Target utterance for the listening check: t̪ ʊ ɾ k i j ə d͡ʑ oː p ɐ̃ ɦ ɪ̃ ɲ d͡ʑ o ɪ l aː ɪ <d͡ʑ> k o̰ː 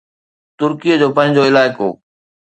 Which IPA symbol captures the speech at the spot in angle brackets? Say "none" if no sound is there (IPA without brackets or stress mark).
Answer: none